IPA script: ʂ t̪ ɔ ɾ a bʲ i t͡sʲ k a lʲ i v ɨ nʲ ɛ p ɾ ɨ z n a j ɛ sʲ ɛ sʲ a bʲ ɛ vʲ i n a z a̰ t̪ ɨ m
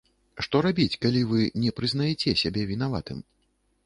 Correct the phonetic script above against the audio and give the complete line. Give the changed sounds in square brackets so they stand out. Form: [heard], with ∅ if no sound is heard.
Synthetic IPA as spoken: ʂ t̪ ɔ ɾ a bʲ i t͡sʲ k a lʲ i v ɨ nʲ ɛ p ɾ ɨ z n a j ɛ [t͡sʲ] ɛ sʲ a bʲ ɛ vʲ i n a [v] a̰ t̪ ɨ m